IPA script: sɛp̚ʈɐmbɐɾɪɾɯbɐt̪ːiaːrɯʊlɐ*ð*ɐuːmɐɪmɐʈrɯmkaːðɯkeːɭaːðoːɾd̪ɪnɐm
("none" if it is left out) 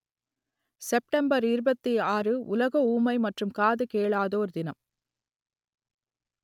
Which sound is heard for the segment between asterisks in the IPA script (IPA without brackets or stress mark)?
ɣ